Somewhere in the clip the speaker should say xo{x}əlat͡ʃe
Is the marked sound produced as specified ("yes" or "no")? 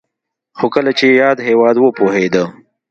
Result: no